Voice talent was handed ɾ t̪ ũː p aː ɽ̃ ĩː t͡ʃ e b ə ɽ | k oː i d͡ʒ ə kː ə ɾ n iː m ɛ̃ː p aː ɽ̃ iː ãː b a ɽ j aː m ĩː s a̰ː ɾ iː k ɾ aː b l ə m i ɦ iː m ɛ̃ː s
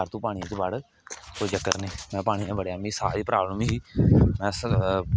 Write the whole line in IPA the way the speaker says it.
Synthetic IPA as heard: ɾ t̪ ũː p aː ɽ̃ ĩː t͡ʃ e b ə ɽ | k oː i d͡ʒ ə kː ə ɾ n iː m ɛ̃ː p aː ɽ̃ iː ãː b ə ɽ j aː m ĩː s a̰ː ɾ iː p ɾ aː b l ə m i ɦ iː m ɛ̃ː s